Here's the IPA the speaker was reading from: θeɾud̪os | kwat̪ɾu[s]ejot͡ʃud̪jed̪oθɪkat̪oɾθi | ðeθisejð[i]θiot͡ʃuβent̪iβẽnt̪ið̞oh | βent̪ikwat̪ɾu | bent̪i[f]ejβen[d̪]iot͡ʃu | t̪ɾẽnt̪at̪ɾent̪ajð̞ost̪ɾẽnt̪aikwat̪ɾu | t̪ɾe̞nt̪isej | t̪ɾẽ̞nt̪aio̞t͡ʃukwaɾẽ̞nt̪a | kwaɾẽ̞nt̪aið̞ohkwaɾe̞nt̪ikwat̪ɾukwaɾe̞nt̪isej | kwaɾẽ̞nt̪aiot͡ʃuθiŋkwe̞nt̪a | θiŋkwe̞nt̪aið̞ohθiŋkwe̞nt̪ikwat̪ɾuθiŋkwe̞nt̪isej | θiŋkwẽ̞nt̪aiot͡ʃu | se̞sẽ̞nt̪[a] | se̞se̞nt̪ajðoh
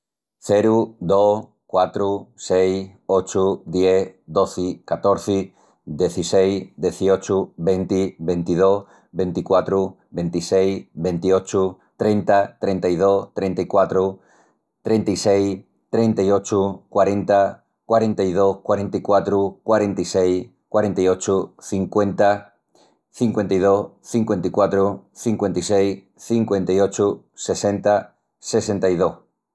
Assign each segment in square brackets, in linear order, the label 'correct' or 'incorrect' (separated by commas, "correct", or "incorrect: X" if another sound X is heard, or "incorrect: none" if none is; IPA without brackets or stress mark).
correct, incorrect: e, incorrect: s, incorrect: t̪, correct